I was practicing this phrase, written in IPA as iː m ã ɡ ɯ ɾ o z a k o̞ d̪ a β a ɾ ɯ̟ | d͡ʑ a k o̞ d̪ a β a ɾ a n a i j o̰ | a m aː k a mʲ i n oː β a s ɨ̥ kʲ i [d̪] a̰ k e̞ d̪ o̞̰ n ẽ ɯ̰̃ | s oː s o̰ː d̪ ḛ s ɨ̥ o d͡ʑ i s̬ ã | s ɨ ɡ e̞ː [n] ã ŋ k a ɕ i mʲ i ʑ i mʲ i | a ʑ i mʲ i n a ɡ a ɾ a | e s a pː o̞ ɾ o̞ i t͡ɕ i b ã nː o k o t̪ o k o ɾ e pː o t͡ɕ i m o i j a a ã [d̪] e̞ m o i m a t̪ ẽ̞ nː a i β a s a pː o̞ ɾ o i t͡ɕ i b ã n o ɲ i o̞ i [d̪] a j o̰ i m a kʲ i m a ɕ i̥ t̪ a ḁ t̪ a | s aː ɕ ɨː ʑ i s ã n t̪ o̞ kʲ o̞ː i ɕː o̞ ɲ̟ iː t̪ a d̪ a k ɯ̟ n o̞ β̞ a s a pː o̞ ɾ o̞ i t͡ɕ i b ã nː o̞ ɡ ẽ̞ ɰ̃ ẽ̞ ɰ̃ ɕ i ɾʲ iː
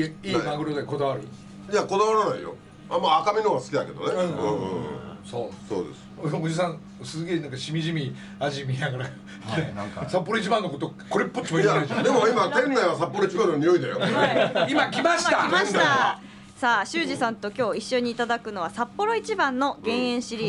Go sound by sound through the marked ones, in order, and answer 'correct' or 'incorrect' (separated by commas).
correct, correct, correct, correct